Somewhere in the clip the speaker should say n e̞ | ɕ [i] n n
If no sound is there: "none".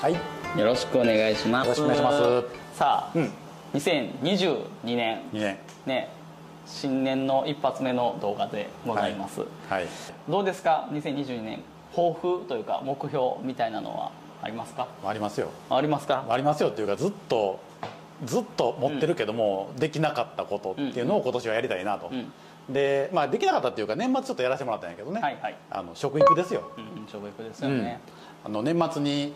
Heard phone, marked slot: ĩ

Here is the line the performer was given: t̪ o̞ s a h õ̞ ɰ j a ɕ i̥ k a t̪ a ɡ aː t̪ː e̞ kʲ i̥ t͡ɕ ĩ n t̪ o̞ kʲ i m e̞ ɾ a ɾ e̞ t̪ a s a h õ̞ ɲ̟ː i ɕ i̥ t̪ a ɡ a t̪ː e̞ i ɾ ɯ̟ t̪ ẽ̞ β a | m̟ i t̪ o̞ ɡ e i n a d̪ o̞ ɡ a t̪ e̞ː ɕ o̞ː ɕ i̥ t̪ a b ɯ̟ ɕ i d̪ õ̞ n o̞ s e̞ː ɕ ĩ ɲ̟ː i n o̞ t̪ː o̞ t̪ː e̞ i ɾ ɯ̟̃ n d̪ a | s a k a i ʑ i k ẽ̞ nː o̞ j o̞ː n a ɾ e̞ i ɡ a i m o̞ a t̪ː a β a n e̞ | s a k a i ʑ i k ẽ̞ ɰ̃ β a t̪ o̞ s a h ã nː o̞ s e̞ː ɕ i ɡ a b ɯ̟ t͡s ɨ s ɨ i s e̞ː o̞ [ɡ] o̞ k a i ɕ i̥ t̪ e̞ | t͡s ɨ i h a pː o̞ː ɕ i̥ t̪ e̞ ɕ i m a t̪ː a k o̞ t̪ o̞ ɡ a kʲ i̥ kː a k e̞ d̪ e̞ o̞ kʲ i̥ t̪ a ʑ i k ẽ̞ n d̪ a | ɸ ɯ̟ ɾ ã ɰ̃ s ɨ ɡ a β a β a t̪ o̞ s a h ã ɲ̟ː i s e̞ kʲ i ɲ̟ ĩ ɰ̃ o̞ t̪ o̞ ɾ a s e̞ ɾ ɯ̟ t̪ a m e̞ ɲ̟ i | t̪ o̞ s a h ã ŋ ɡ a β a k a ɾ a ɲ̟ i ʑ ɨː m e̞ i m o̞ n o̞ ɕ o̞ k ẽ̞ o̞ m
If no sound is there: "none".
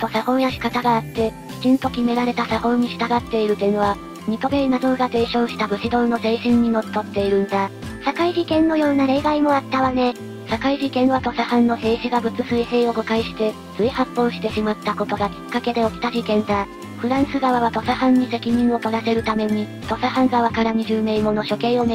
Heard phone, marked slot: ɡ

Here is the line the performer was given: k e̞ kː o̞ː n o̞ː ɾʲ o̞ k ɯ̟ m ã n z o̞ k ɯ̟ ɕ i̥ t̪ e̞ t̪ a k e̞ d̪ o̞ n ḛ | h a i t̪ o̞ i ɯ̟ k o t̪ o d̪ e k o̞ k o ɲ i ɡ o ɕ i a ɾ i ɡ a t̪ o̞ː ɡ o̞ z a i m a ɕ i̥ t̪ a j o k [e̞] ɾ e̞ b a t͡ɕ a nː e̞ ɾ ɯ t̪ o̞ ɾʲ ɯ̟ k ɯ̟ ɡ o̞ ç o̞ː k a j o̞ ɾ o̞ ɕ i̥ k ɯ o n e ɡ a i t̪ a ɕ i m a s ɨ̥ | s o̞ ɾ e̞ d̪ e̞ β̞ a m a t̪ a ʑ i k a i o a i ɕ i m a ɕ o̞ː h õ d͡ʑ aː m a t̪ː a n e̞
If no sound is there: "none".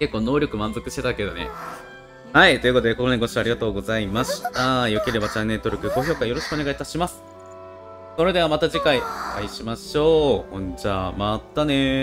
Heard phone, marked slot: e̞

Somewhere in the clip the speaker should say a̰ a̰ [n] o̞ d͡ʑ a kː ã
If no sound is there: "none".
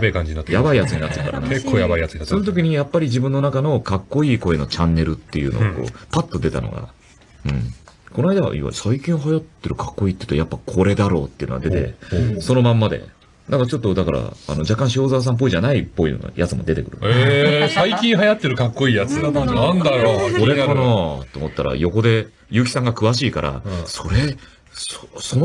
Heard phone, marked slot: n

